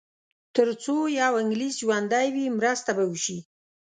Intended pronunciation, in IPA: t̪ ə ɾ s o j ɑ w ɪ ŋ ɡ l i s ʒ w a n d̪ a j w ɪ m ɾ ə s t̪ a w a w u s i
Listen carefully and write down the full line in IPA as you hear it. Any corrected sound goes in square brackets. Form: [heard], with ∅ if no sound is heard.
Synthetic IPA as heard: t̪ ə ɾ [t͡s] o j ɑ w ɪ ŋ ɡ l i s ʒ w a n d̪ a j w [i] m ɾ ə s t̪ a [b] a w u [ʃ] i